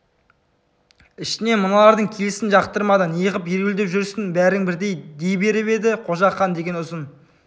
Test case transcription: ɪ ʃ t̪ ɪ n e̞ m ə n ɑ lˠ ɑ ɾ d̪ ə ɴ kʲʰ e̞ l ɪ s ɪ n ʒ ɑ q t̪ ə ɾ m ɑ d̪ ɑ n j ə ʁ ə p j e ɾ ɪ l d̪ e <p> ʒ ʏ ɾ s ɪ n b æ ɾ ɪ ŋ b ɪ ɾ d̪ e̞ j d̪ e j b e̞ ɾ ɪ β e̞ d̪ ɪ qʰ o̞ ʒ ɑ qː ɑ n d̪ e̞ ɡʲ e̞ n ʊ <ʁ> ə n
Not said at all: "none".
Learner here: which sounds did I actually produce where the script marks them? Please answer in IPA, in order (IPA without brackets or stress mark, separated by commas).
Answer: p, z